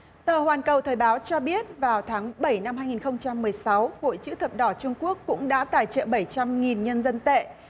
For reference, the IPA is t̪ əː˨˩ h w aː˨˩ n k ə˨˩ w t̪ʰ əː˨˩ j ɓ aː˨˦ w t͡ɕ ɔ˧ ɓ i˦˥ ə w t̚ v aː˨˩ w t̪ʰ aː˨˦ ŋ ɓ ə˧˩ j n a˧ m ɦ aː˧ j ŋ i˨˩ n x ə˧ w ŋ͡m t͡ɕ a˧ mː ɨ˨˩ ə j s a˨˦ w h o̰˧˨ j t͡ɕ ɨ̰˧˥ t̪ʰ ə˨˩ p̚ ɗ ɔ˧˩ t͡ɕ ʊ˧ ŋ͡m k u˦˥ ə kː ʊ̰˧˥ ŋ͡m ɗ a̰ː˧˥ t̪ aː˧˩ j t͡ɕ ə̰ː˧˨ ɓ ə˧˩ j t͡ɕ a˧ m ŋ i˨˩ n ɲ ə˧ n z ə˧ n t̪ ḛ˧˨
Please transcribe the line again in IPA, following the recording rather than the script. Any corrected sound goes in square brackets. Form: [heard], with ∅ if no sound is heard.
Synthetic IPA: t̪ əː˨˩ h w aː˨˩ n k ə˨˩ w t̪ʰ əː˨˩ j ɓ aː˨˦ w t͡ɕ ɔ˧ ɓ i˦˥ ə [∅] t̚ v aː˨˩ w t̪ʰ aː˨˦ ŋ ɓ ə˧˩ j n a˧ m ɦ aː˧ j ŋ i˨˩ n x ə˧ w ŋ͡m t͡ɕ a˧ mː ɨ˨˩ ə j s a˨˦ w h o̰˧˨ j t͡ɕ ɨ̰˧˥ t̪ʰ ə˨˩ p̚ ɗ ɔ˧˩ t͡ɕ ʊ˧ ŋ͡m k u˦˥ ə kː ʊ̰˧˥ ŋ͡m ɗ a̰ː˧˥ t̪ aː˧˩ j t͡ɕ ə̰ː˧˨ ɓ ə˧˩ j t͡ɕ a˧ m ŋ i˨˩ n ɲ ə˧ n z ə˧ n t̪ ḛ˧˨